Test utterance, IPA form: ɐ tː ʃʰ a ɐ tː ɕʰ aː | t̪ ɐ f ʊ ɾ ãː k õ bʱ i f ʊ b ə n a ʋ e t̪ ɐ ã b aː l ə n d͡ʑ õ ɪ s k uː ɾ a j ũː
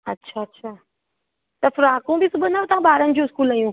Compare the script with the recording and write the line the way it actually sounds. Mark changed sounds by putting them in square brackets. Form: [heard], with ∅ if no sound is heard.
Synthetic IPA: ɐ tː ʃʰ a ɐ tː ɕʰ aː | t̪ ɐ f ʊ ɾ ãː k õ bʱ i [s] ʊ b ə n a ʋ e t̪ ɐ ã b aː [ɾ] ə n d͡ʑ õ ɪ s k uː [l] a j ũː